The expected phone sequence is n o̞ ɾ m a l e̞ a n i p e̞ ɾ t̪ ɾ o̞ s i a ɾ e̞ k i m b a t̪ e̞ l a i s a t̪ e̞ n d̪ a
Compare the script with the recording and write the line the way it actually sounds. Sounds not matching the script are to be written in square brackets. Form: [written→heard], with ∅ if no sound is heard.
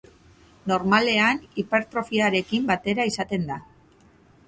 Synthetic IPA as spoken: n o̞ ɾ m a l e̞ a n i p e̞ ɾ t̪ ɾ o̞ [s→f] i a ɾ e̞ k i m b a t̪ e̞ [l→ɾ] a i s a t̪ e̞ n d̪ a